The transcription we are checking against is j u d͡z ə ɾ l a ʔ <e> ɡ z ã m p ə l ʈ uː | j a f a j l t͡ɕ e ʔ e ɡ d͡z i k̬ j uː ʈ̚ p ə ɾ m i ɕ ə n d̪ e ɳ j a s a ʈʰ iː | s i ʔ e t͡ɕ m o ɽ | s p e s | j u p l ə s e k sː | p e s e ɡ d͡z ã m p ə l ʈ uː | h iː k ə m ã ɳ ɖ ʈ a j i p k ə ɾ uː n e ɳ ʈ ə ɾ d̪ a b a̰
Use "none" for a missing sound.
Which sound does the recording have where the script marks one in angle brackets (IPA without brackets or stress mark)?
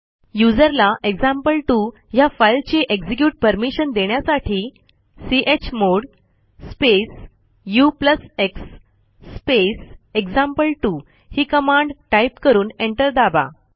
e